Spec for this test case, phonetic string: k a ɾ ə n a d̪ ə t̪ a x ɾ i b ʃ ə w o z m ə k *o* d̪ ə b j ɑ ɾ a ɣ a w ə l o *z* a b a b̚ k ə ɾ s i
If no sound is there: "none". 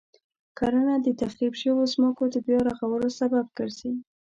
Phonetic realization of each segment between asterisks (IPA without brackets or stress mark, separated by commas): o, s